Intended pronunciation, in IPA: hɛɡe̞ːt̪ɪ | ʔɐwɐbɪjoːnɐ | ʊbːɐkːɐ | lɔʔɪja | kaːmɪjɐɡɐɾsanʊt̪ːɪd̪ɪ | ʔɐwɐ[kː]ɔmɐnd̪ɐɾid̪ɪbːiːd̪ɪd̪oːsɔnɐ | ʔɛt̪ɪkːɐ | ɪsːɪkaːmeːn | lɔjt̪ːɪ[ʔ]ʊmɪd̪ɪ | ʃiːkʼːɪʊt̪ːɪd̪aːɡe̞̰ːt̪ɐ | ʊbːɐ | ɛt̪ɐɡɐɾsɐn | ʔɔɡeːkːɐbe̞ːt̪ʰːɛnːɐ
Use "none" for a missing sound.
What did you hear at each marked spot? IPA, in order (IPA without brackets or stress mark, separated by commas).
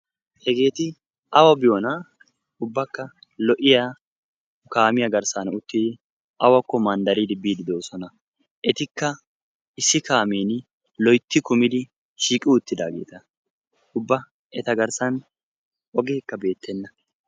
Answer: kː, k